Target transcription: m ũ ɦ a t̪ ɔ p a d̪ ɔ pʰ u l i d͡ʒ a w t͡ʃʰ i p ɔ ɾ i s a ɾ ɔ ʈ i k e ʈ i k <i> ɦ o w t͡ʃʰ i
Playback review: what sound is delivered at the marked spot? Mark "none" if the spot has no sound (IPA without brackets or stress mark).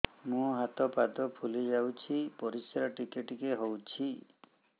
e